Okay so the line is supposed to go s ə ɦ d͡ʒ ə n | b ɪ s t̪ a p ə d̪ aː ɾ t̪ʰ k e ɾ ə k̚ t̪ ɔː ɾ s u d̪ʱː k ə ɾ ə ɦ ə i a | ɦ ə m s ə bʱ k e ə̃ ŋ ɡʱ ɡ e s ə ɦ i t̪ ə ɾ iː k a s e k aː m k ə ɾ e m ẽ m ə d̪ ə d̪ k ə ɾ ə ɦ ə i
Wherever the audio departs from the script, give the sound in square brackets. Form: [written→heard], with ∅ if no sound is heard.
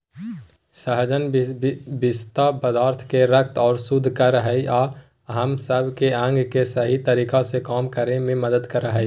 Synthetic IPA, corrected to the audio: s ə ɦ d͡ʒ ə n | b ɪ s t̪ a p ə d̪ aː ɾ t̪ʰ k e ɾ ə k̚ t̪ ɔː ɾ s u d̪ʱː k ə ɾ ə ɦ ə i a | ɦ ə m s ə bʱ k e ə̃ ŋ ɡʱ [ɡ→k] e s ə ɦ i t̪ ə ɾ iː k a s e k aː m k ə ɾ e m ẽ m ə d̪ ə d̪ k ə ɾ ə ɦ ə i